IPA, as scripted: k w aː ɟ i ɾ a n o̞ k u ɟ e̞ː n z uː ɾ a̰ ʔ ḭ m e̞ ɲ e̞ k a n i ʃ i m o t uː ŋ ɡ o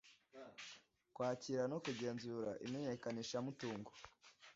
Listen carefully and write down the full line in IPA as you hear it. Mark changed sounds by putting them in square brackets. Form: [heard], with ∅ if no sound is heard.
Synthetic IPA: k w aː [c] i ɾ a n o̞ k u ɟ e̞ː n z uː ɾ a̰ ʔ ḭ m e̞ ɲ e̞ k a n i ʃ [a] m [u] t uː ŋ ɡ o